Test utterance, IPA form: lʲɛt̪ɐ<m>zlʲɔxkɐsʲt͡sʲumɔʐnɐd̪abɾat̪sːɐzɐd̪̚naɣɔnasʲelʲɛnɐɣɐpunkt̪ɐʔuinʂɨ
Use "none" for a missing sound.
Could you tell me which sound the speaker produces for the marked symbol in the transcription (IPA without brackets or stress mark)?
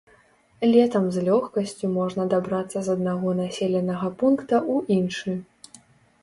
m